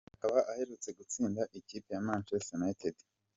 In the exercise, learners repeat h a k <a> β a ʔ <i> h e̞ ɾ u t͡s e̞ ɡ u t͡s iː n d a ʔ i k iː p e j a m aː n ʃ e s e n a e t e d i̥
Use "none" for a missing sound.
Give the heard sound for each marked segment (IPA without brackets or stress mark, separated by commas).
a, a